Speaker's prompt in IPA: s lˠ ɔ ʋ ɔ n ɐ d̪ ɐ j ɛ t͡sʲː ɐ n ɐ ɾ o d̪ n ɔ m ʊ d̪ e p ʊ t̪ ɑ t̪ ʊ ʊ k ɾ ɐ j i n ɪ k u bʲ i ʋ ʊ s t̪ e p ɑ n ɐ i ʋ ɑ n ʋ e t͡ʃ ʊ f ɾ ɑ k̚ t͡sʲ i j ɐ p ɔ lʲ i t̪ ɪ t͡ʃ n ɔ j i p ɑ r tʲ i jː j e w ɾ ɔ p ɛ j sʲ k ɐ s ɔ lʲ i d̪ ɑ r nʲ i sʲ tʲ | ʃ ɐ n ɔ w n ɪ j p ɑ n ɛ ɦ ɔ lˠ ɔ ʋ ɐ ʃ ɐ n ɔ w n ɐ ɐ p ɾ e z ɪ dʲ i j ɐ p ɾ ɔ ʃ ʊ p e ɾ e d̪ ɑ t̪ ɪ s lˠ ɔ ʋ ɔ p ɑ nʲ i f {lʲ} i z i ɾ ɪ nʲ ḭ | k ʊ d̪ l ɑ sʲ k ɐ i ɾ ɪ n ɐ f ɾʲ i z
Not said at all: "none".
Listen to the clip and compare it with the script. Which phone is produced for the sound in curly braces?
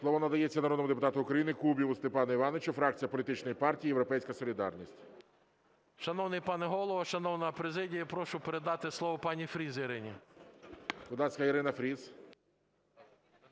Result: ɾʲ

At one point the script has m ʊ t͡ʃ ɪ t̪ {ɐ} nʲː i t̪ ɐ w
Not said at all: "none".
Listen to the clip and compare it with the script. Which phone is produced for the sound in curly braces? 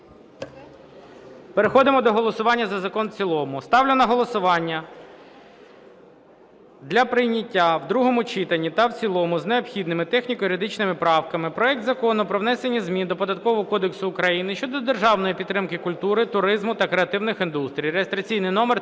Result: ɐ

